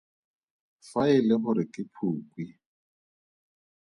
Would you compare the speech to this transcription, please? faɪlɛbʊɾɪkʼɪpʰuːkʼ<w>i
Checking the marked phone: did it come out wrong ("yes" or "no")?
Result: no